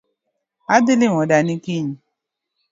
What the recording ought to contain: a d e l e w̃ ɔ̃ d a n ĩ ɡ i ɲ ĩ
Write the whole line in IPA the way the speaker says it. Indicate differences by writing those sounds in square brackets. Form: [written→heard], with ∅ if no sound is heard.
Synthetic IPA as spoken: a d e l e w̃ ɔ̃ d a n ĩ [ɡ→k] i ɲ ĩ

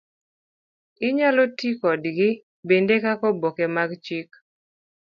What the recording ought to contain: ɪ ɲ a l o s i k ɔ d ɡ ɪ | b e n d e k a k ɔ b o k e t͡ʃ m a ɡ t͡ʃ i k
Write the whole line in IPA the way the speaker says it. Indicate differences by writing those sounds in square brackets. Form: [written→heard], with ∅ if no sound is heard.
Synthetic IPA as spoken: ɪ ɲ a l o [s→t] i k ɔ d ɡ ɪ | b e n d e k a k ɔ b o k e [t͡ʃ→∅] m a ɡ t͡ʃ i k

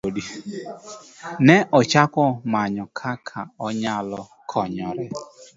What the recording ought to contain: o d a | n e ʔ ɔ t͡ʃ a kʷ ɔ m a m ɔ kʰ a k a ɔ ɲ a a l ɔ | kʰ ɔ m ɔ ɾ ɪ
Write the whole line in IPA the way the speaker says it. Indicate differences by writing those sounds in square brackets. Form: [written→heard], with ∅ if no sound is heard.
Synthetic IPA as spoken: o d [a→i] | n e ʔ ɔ t͡ʃ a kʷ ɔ m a [m→ɲ] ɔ kʰ a [k→kʰ] a ɔ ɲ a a l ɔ | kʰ ɔ [m→ɲ] ɔ ɾ ɪ

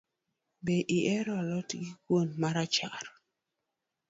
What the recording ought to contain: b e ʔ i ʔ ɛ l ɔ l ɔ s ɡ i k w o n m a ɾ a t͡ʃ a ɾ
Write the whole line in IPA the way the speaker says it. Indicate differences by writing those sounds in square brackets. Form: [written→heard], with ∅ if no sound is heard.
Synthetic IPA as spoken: b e ʔ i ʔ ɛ [l→ɾ] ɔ l ɔ [s→t] ɡ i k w o n m a ɾ a t͡ʃ a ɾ

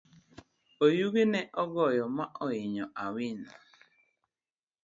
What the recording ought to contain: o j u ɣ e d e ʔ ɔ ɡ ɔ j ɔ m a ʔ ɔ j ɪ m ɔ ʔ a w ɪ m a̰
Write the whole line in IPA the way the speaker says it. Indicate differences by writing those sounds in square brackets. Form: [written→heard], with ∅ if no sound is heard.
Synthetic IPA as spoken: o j u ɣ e [d→n] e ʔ ɔ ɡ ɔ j ɔ m a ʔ ɔ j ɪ [m→ɲ] ɔ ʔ a w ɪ [m→n] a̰

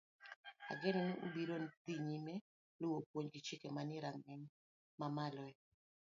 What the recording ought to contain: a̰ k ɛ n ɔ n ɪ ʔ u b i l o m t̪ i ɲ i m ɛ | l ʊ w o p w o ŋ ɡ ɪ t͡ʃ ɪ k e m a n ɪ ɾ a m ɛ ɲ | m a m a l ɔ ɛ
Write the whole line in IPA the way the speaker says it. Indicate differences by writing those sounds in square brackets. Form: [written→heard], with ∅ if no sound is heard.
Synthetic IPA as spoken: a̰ [k→ɡ] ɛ n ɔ n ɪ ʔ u b i [l→ɾ] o [m→n] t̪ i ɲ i m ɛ | l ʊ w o p w o [ŋ→ɲ] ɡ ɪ t͡ʃ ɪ k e m a n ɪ ɾ a [m→ŋ] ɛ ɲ | m a m a l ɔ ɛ

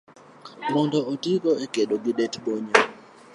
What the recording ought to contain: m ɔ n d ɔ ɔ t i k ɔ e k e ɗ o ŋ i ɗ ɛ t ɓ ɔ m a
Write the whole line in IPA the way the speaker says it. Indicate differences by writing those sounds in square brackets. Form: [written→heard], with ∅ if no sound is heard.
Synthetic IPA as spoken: m ɔ n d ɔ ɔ t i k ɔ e k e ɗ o [ŋ→ɡ] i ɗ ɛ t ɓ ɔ [m→ɲ] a

